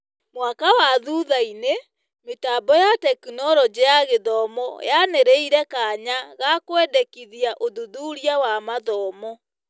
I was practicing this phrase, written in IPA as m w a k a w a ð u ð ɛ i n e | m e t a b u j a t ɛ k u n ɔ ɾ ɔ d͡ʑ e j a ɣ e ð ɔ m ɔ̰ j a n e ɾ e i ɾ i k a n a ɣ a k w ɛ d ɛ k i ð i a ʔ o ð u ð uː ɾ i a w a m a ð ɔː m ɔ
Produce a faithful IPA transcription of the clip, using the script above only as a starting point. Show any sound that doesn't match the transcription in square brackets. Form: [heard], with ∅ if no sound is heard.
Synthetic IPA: m w a k a w a ð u ð [a] i n e | m e t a b [ɔ] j a t ɛ k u n ɔ ɾ ɔ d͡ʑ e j a ɣ e ð ɔ m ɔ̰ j a n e ɾ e i ɾ [ɛ] k a [ɲ] a ɣ a k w ɛ d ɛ k i ð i a ʔ o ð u ð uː ɾ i a w a m a ð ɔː m ɔ